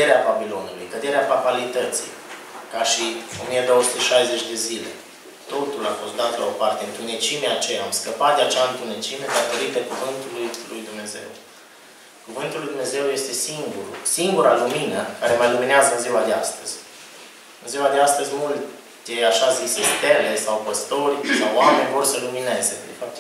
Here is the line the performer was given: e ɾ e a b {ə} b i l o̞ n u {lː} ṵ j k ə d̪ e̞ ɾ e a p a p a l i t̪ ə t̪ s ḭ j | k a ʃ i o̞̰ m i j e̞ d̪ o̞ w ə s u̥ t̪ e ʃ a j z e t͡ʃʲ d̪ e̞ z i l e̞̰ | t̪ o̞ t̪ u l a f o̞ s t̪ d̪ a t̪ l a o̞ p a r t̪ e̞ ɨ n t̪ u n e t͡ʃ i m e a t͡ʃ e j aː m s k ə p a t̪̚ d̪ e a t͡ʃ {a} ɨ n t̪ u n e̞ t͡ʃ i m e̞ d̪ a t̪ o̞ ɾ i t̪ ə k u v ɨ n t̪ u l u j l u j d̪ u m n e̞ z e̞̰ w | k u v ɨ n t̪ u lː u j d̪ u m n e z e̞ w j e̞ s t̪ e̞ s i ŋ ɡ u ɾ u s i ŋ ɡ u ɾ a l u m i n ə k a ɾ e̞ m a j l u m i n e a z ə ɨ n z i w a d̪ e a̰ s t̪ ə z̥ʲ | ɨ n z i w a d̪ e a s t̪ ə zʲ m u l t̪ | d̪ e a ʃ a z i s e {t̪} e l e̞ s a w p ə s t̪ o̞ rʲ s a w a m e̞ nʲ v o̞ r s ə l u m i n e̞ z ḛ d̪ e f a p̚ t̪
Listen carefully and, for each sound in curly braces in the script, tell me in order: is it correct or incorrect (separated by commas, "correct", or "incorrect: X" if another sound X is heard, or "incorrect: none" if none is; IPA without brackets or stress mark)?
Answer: incorrect: a, incorrect: l, correct, correct